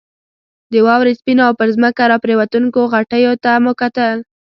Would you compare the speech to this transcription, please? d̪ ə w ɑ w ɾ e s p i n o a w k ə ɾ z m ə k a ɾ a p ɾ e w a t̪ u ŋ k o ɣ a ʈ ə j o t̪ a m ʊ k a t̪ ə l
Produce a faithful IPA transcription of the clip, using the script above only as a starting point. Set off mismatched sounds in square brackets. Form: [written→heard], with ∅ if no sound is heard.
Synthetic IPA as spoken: d̪ ə w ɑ w ɾ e s p i n o a w [k→p] ə ɾ z m ə k a ɾ [a→ɑ] p ɾ e w a t̪ u ŋ k o ɣ a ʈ ə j o t̪ a m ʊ k a t̪ ə l